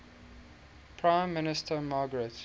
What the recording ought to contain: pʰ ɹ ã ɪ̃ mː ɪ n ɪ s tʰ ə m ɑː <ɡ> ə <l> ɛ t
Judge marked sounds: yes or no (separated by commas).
yes, no